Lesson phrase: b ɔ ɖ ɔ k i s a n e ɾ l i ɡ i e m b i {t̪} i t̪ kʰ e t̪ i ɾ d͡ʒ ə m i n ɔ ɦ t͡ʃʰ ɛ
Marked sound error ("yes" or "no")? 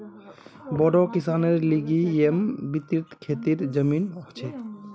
no